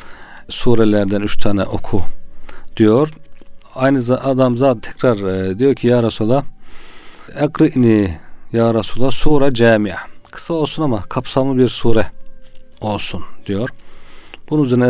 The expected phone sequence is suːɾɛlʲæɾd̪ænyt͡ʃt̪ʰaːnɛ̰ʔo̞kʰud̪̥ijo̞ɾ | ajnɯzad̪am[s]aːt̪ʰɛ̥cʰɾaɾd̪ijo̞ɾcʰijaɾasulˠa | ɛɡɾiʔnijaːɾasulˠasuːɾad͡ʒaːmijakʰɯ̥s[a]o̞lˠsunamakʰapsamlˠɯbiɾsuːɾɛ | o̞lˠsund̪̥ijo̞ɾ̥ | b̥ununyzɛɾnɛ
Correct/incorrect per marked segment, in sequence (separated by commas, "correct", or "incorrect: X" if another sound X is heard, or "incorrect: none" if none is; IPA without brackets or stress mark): incorrect: z, correct